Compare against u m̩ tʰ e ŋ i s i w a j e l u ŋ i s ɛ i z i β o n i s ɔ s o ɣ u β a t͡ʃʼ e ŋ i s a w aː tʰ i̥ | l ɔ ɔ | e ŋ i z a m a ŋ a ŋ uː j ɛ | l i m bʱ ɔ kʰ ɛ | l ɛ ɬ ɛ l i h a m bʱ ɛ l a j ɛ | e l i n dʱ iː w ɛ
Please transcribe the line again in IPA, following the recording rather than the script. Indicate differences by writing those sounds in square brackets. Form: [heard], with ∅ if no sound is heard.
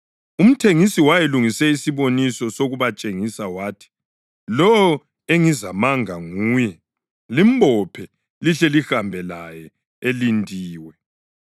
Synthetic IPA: u m̩ tʰ e ŋ i s i w a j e l u ŋ i s ɛ i [s] i β o n i s ɔ s o ɣ u β a t͡ʃʼ e ŋ i s a w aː tʰ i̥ | l ɔ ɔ | e ŋ i z a m a ŋ a ŋ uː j ɛ | l i m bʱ ɔ [pʰ] ɛ | l [i] ɬ ɛ l i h a m bʱ ɛ l a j ɛ | e l i n dʱ iː w ɛ